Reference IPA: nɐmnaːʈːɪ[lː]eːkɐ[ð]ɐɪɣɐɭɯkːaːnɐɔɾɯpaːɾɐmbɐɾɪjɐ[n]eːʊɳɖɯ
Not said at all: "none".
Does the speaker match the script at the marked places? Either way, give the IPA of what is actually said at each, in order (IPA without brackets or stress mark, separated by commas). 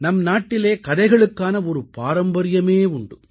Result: l, ð, m